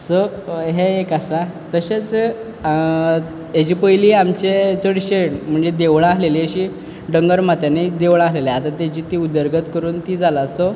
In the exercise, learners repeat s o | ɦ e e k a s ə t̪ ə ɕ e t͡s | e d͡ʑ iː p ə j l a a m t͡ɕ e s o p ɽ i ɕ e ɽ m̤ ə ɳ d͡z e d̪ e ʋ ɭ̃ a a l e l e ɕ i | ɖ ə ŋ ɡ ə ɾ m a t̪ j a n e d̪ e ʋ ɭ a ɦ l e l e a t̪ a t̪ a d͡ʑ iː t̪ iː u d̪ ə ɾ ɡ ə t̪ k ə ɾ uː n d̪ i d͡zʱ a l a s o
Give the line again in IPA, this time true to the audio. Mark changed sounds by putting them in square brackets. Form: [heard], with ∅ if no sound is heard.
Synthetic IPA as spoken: s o | ɦ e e k a s [a] t̪ ə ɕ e t͡s | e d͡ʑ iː p ə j l [i] a m t͡ɕ e [t͡s] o [∅] ɽ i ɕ e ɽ m̤ ə ɳ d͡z e d̪ e ʋ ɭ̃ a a l e l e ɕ i | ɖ ə ŋ ɡ ə ɾ m a t̪ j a n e d̪ e ʋ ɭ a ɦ l e l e a t̪ a t̪ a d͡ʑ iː t̪ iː u d̪ ə ɾ ɡ ə t̪ k ə ɾ uː n [t̪] i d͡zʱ a l a s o

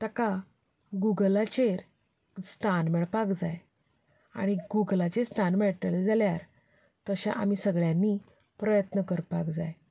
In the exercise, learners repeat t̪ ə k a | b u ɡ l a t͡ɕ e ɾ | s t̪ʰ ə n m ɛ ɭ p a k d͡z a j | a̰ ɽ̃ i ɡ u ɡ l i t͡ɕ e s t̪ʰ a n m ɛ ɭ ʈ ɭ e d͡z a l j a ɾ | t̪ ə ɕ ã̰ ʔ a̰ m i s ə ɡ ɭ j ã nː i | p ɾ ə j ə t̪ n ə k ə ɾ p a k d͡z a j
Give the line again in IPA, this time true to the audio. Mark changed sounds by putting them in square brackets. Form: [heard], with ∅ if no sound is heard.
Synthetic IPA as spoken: t̪ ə k a | [ɡ] u ɡ l a t͡ɕ e ɾ | s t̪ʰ [a] n m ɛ ɭ p a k d͡z a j | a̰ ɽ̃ i ɡ u ɡ l [a] t͡ɕ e s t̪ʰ a n m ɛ ɭ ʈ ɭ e d͡z a l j a ɾ | t̪ ə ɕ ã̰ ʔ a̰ m i s ə ɡ ɭ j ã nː i | p ɾ ə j ə t̪ n ə k ə ɾ p a k d͡z a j

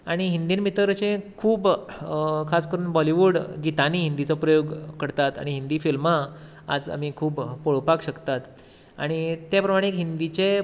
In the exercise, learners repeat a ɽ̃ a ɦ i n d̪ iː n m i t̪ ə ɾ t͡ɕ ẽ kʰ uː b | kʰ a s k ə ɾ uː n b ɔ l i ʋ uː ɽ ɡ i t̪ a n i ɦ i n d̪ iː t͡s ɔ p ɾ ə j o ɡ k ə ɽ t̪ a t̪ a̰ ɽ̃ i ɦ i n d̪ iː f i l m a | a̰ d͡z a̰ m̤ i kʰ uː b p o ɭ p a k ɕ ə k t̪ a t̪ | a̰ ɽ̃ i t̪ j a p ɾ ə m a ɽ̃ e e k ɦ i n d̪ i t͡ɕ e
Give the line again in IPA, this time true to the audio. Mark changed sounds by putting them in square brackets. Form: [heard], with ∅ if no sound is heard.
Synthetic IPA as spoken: a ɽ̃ [i] ɦ i n d̪ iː n m i t̪ ə ɾ t͡ɕ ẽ kʰ uː b | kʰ a s k ə ɾ uː n b ɔ l i ʋ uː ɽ ɡ i t̪ a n i ɦ i n d̪ [i] t͡s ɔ p ɾ ə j o ɡ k ə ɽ t̪ a t̪ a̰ ɽ̃ i ɦ i n d̪ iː f i l m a | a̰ d͡z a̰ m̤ i kʰ uː b p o ɭ p a k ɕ ə k t̪ a t̪ | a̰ ɽ̃ i t̪ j a p ɾ ə m a ɽ̃ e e k ɦ i n d̪ i t͡ɕ e

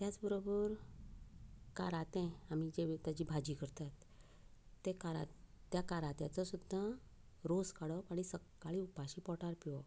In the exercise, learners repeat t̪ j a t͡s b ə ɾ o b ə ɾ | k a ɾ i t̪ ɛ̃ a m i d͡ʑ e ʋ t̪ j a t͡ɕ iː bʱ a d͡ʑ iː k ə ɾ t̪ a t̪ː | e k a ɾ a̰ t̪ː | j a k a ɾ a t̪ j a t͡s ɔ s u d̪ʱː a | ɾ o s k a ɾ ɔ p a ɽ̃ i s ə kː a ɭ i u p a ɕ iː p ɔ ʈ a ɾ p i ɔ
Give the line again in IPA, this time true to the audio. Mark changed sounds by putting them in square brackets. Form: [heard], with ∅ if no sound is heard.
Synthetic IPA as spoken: t̪ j a t͡s b ə ɾ o b ə ɾ | k a ɾ [a] t̪ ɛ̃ a m i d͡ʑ e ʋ t̪ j a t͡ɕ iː bʱ a d͡ʑ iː k ə ɾ t̪ a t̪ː | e k a ɾ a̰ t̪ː | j a k a ɾ a t̪ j a t͡s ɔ s u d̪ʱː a | ɾ o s k a [ɽ] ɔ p a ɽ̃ i s ə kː a ɭ i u p a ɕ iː p ɔ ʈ a ɾ p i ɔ

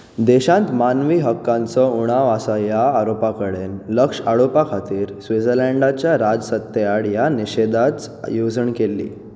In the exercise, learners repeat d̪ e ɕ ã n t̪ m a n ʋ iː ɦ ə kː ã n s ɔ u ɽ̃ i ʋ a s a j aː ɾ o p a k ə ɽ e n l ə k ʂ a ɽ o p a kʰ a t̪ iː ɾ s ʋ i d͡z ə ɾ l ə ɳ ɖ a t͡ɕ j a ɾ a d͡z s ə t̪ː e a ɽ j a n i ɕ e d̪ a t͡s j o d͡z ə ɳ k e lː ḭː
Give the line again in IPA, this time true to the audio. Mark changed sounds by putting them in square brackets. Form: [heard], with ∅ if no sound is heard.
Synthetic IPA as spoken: d̪ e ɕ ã n t̪ m a n ʋ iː ɦ ə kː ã n [t͡s] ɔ u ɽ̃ [a] ʋ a s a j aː ɾ o p a k ə ɽ e n l ə k ʂ a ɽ o p a kʰ a t̪ iː ɾ s ʋ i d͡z ə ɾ l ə ɳ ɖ a t͡ɕ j a ɾ a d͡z s ə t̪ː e a ɽ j a n i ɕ e d̪ a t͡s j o d͡z ə ɳ k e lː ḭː

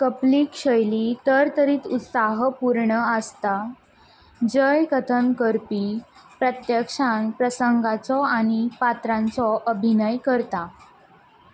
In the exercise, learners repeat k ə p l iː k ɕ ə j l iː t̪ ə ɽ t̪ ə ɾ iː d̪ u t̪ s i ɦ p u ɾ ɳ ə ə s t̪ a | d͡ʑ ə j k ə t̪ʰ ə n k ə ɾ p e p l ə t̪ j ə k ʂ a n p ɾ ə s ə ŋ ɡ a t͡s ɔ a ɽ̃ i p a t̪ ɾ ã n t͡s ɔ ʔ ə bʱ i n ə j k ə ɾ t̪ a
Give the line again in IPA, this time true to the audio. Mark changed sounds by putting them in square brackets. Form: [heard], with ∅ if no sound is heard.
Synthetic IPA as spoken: k ə p l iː k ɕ ə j l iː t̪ ə [ɾ] t̪ ə ɾ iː [t̪] u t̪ s [a] ɦ p u ɾ ɳ ə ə s t̪ a | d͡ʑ ə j k ə t̪ʰ ə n k ə ɾ p [i] p [ɾ] ə t̪ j ə k ʂ a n p ɾ ə s ə ŋ ɡ a t͡s ɔ a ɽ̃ i p a t̪ ɾ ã n t͡s ɔ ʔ ə bʱ i n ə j k ə ɾ t̪ a

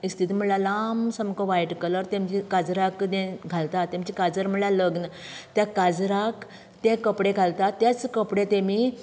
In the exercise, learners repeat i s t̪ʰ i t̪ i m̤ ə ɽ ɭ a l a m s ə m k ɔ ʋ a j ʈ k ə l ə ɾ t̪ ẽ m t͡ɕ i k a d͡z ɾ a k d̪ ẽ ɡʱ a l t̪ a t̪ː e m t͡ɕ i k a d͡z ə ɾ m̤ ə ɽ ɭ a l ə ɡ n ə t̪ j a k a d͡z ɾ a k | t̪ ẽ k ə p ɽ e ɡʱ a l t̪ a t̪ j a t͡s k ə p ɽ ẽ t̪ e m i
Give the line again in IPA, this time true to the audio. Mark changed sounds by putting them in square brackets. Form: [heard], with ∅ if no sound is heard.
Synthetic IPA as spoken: i s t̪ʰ i t̪ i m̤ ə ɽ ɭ a l a m s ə m k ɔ ʋ a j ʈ k ə l ə ɾ t̪ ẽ m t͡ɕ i k a d͡z ɾ a k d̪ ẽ ɡʱ a l t̪ a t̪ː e m t͡ɕ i k a d͡z ə ɾ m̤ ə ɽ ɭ a l ə ɡ n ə t̪ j a k a d͡z ɾ a k | t̪ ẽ k ə p ɽ e ɡʱ a l t̪ a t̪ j a t͡s k ə p ɽ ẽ t̪ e m i

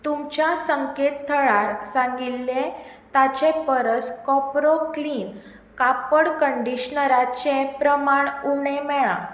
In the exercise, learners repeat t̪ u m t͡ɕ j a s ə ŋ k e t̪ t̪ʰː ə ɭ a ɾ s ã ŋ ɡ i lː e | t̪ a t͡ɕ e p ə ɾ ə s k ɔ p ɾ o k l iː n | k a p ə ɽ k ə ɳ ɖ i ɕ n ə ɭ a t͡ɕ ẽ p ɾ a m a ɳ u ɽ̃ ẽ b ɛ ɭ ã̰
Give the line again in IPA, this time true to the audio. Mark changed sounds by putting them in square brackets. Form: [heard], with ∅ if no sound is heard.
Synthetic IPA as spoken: t̪ u m t͡ɕ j a s ə ŋ k e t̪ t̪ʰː ə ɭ a ɾ s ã ŋ ɡ i lː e | t̪ a t͡ɕ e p ə ɾ ə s k ɔ p ɾ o k l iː n | k a p ə ɽ k ə ɳ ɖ i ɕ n ə [ɾ] a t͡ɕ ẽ p ɾ [ə] m a ɳ u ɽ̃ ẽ [m] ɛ ɭ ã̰

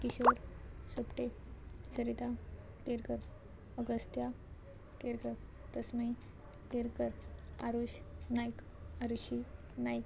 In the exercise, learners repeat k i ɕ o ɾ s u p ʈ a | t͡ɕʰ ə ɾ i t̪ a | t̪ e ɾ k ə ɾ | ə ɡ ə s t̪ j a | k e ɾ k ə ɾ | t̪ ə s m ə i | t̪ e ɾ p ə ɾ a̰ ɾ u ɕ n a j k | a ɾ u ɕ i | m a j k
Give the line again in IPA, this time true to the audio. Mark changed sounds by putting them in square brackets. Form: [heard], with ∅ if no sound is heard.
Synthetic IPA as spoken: k i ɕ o ɾ s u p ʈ [e] | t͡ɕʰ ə ɾ i t̪ a | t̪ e ɾ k ə ɾ | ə ɡ ə s t̪ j a | k e ɾ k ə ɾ | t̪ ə s m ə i | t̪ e ɾ [k] ə ɾ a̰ ɾ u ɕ n a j k | a ɾ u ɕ i | [n] a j k

